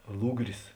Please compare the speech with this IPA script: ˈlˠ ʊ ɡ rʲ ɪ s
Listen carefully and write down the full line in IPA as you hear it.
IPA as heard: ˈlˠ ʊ ɡ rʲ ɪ s